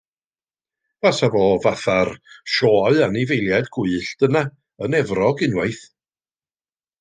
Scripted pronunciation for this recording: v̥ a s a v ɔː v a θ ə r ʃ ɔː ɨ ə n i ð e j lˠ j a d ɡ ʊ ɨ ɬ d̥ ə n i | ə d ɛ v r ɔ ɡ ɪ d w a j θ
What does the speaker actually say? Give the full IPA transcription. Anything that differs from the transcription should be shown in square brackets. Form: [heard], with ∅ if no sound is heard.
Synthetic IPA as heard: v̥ a s a v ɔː v a θ [a] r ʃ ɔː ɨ [a] n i [v] e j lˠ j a d ɡ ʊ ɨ ɬ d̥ ə n [a] | ə [n] ɛ v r ɔ ɡ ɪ [n] w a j θ